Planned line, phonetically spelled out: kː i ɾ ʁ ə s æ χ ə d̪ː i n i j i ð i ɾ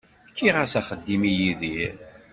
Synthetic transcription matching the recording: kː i ʁ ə s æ χ ə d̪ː i m i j i ð i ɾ

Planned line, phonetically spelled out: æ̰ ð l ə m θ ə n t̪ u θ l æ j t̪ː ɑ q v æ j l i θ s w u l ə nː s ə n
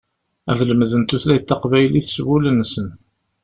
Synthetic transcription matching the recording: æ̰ ð l ə m ð ə n t̪ u θ l æ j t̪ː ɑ q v æ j l i θ s w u l ə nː s ə n

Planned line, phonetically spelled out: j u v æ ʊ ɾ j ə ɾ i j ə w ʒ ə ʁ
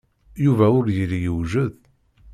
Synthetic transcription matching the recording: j u v æ ʊ ɾ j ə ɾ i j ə w ʒ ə ð

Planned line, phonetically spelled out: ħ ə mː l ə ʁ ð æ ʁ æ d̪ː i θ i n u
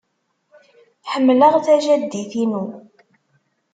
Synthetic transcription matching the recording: ħ ə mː l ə ʁ θ æ ʒ æ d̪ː i θ i n u

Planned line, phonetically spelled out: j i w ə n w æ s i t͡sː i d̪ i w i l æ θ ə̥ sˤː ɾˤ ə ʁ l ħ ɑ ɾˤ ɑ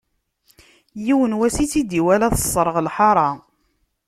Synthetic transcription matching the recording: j i w ə n w æ s i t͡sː i d̪ i w æ l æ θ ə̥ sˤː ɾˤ ə ʁ l ħ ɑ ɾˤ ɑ

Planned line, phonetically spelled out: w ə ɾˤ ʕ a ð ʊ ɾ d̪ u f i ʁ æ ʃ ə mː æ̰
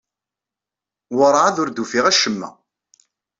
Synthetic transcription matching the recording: w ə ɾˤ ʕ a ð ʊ ɾ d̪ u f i ʁ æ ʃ ə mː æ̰

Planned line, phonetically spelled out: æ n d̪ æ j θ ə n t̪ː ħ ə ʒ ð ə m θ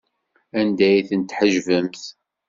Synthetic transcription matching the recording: æ n d̪ æ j θ ə n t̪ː ħ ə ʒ v ə m θ

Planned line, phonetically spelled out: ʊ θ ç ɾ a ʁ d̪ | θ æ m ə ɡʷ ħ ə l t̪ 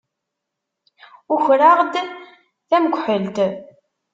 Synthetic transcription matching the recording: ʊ ç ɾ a ʁ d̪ | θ æ m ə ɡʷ ħ ə l t̪

